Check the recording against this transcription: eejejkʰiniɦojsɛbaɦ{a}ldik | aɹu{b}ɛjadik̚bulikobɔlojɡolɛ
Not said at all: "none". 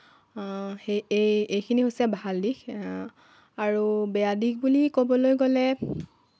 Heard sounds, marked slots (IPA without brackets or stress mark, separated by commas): a, b